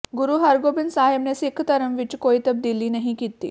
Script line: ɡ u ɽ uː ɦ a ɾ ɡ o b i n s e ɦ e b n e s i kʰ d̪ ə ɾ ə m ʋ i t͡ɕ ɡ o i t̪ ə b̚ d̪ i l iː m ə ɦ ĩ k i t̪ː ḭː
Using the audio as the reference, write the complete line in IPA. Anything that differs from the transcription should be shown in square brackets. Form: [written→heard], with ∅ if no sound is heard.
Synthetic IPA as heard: ɡ u [ɽ→ɾ] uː ɦ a ɾ ɡ o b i n s [e→a] ɦ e b n e s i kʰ [d̪→t̪] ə ɾ ə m ʋ i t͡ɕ [ɡ→k] o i t̪ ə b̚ d̪ i l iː [m→n] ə ɦ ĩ k i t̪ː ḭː